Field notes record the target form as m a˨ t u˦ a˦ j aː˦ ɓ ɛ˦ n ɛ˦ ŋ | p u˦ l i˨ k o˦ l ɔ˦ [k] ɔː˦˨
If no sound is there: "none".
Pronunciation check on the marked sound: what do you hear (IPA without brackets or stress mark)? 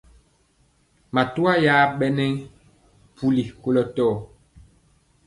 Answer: t